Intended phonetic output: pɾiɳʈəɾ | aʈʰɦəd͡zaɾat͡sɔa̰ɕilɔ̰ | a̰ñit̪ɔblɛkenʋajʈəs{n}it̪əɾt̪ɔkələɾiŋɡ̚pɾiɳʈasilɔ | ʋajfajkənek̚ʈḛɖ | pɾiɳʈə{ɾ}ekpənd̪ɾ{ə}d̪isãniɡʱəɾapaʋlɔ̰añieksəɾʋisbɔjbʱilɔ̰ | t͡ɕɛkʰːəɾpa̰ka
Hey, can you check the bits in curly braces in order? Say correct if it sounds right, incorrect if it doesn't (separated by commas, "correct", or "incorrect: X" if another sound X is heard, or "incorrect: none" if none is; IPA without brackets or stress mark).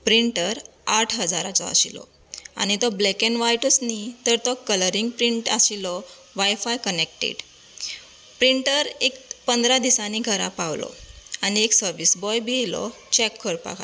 correct, correct, incorrect: a